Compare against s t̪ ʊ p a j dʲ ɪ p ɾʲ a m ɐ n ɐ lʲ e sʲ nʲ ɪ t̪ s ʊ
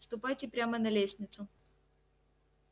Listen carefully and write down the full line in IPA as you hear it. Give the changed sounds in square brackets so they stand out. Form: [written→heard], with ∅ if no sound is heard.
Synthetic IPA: s t̪ ʊ p a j [dʲ→tʲ] ɪ p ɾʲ a m [ɐ→ə] n ɐ lʲ e sʲ nʲ ɪ t̪ s ʊ